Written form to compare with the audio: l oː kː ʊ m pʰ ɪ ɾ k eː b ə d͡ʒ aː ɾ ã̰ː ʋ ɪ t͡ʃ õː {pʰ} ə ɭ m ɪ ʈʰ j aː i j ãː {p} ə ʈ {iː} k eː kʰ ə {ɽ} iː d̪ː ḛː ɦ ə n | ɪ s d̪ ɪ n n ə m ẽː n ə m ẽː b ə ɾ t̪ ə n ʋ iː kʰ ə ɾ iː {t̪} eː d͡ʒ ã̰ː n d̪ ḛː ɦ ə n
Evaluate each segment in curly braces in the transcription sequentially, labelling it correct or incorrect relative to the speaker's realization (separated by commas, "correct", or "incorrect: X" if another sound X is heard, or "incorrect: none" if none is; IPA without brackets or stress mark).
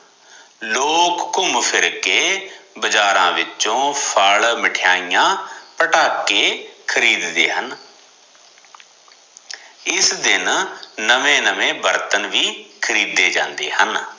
correct, correct, incorrect: aː, incorrect: ɾ, incorrect: d̪